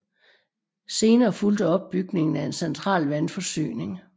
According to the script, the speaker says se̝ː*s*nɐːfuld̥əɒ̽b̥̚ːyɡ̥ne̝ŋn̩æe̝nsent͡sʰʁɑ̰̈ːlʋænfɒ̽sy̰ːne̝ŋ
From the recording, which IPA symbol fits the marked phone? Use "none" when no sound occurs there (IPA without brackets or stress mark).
none